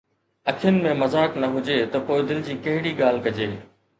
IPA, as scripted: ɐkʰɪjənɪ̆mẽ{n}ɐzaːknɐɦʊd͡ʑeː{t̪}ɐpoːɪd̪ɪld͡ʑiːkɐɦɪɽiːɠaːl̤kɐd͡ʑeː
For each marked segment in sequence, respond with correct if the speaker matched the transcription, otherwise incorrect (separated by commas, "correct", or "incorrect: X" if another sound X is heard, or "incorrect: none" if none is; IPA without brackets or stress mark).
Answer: incorrect: m, correct